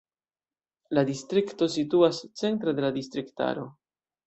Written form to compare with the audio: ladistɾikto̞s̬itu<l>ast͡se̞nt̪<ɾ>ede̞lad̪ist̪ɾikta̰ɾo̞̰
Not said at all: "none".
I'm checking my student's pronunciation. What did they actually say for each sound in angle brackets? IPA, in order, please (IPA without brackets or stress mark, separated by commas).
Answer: none, ɾ